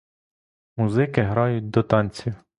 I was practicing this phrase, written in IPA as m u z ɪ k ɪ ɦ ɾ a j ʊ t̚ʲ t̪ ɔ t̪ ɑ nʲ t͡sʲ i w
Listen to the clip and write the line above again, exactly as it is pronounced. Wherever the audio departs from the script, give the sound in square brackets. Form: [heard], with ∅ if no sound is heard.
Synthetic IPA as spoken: m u z ɪ k ɪ ɦ ɾ [ɑ] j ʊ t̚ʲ [d̪] ɔ t̪ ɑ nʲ t͡sʲ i w